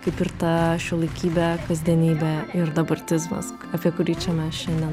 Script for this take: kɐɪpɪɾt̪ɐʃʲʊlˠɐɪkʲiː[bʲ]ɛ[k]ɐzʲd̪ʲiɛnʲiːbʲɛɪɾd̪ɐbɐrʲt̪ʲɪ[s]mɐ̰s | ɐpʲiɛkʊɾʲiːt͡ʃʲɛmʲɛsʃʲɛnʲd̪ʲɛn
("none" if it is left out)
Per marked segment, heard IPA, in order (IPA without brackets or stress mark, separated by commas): bʲ, k, z